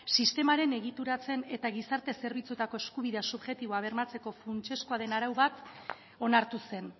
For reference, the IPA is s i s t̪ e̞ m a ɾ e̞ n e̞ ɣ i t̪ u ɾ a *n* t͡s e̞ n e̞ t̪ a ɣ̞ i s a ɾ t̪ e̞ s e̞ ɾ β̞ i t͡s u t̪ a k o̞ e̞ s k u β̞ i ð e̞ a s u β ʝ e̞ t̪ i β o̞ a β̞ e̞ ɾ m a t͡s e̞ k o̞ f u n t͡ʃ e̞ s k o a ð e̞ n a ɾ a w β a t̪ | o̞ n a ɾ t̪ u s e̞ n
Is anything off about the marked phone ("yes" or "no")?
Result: yes